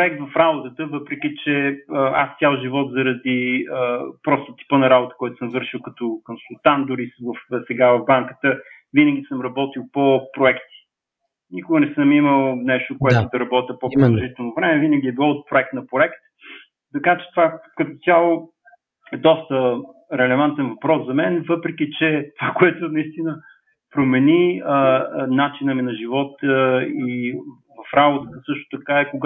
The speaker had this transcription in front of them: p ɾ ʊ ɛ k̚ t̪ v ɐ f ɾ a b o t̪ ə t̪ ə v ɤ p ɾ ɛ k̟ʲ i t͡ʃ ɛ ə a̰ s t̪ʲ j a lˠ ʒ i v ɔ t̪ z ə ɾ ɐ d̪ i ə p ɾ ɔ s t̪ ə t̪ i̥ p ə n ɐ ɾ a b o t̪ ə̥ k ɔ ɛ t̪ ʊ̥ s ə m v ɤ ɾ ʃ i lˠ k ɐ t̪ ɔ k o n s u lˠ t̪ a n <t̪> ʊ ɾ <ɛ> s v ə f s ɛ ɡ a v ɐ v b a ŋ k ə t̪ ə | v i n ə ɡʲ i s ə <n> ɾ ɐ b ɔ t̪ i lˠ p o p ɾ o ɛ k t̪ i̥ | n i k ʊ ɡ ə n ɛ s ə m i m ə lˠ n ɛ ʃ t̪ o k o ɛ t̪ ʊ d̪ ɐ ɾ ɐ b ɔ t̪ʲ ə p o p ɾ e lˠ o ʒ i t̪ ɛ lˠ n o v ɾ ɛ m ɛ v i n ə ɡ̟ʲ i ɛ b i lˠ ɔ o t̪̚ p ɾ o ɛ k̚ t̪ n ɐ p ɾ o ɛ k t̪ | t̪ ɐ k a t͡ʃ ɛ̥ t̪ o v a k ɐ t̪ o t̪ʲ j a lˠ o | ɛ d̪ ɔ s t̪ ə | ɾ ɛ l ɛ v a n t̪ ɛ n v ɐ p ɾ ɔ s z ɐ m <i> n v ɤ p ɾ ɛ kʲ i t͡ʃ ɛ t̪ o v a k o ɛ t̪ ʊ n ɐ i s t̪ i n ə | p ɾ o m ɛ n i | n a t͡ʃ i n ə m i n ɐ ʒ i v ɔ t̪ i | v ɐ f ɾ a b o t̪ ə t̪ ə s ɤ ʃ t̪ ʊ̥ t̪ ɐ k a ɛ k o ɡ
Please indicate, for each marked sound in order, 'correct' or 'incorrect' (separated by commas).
incorrect, incorrect, incorrect, incorrect